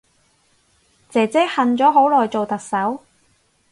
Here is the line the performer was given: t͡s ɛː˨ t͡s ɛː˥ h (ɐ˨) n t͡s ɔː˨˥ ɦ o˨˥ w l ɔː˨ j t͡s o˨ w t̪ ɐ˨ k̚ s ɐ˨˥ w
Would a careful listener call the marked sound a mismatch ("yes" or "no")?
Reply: no